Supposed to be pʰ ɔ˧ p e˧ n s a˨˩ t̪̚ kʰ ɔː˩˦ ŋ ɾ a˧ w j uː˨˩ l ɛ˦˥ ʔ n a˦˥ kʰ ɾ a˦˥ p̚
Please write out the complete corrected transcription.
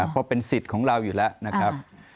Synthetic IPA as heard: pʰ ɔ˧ p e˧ n s i˨˩ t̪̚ kʰ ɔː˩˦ ŋ ɾ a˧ w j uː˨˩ l ɛ˦˥ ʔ n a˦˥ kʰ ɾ a˦˥ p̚